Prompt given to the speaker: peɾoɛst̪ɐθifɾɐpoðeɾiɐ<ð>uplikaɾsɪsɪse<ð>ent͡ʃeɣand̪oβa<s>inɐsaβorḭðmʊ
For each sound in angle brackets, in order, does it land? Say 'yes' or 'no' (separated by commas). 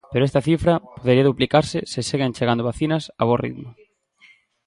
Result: yes, no, no